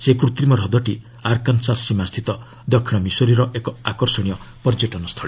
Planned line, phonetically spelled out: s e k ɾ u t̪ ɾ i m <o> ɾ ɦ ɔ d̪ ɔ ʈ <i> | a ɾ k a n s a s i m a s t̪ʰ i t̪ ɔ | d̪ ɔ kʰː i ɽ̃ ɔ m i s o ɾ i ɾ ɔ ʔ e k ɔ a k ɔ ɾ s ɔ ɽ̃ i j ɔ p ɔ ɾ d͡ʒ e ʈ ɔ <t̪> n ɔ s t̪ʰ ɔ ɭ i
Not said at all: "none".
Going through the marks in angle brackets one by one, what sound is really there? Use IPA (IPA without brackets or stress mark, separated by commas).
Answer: ɔ, i, none